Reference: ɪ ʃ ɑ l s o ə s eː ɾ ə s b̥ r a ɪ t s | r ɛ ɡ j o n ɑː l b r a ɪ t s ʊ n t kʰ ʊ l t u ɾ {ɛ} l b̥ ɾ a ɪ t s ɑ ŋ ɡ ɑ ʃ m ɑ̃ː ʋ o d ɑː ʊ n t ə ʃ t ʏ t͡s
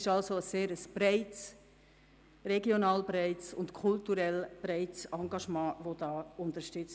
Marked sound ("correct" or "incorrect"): correct